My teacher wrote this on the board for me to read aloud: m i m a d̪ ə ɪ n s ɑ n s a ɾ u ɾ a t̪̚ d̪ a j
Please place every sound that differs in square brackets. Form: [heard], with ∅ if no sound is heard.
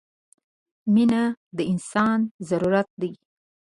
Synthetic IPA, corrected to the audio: m i [n] a d̪ ə ɪ n s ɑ n [z] a ɾ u ɾ a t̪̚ d̪ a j